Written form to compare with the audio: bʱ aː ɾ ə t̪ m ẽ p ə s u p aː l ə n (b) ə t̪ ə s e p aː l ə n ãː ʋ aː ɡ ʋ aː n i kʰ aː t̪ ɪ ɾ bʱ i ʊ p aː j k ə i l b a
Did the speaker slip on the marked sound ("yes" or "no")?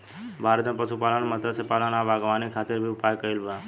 yes